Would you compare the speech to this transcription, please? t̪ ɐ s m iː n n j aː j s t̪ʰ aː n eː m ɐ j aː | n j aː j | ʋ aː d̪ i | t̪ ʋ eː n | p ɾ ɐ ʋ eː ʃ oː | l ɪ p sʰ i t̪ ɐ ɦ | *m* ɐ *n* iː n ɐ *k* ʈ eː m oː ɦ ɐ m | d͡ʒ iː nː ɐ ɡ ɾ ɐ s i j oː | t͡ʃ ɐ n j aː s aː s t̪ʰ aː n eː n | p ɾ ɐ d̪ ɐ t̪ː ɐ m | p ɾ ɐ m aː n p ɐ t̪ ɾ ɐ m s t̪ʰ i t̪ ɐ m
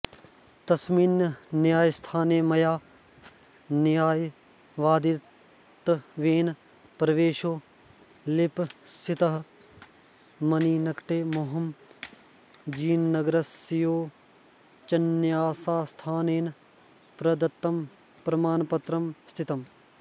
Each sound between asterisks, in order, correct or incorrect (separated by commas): correct, correct, correct